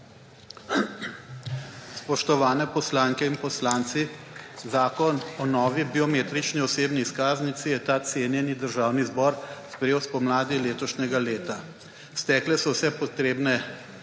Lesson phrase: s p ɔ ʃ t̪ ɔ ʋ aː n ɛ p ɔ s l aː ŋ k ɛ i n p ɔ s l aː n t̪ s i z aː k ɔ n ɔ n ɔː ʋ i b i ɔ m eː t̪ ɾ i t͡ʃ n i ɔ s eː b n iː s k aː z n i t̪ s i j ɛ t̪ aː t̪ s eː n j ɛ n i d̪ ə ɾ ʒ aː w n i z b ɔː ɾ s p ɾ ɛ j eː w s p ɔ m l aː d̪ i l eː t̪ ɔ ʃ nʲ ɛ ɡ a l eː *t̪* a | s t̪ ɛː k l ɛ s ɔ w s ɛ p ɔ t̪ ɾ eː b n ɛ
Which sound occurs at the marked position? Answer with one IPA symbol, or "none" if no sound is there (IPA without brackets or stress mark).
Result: t̪